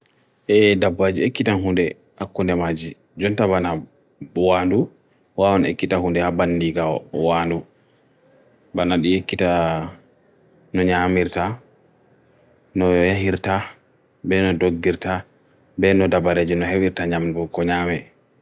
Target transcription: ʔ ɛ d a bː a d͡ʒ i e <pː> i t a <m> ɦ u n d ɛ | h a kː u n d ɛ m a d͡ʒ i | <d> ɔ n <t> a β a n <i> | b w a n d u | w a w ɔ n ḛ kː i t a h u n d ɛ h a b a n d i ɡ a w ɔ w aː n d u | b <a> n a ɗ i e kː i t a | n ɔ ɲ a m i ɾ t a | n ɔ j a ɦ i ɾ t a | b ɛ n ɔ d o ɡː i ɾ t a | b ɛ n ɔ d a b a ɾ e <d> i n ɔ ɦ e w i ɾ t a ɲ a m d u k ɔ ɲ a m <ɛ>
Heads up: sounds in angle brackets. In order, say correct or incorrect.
incorrect, incorrect, incorrect, correct, incorrect, correct, incorrect, correct

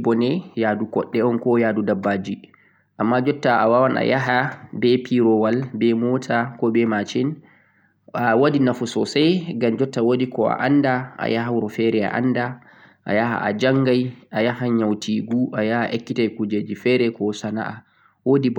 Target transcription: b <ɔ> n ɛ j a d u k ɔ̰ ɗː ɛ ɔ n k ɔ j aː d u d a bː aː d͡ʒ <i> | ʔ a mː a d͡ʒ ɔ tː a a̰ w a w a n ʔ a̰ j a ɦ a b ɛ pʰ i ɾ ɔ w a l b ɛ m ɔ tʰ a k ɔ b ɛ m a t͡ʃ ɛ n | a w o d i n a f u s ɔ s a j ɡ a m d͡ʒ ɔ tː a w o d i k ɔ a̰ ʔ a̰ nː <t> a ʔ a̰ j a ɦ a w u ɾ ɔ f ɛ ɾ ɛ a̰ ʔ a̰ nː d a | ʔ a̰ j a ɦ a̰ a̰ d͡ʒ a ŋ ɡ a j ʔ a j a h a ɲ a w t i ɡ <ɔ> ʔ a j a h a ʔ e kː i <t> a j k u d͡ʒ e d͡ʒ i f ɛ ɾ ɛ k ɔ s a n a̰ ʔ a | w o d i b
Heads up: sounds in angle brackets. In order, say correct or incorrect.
correct, correct, incorrect, incorrect, correct

